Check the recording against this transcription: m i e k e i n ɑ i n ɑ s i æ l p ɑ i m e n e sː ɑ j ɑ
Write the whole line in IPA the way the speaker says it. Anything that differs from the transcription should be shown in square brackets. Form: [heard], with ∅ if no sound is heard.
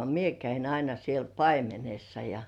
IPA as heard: m i e k [æ] i n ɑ i n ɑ s i [e] l p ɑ i m e n e sː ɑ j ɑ